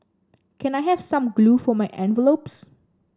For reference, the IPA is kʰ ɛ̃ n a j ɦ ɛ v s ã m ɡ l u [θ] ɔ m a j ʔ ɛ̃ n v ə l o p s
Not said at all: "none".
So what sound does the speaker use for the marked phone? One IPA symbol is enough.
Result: f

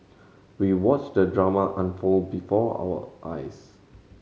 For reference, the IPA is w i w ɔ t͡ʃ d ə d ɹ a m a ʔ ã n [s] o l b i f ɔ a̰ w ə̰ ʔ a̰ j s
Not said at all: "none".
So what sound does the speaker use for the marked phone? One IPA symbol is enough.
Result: f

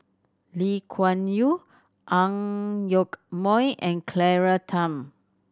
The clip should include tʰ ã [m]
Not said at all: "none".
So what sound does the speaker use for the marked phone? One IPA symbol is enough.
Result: m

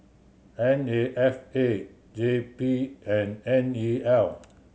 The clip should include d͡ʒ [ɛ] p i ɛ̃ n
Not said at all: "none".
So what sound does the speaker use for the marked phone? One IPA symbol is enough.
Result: e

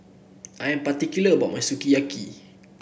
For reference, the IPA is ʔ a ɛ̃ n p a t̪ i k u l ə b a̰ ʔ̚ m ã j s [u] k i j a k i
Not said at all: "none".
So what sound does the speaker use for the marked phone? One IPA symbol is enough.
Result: u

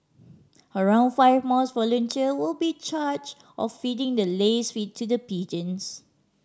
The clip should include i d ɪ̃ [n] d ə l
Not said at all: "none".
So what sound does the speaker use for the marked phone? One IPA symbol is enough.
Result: ŋ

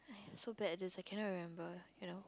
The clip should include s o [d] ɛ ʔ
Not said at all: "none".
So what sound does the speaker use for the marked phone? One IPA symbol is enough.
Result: b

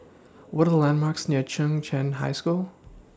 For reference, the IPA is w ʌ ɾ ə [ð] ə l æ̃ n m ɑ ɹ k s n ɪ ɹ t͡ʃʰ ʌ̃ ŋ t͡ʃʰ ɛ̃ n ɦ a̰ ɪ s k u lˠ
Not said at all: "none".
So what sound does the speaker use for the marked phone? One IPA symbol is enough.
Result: ð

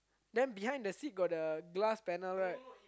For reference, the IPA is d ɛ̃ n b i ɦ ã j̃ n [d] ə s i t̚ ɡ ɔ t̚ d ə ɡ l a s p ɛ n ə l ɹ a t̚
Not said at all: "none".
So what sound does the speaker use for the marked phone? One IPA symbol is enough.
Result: d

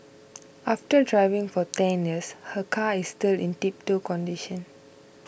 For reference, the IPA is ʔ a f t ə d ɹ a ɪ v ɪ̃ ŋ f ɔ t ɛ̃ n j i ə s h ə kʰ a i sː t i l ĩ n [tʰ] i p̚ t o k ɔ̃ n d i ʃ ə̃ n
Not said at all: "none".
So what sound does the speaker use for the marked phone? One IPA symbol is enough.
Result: t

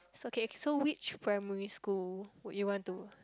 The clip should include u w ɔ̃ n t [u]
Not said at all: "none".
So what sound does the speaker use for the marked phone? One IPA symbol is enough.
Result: u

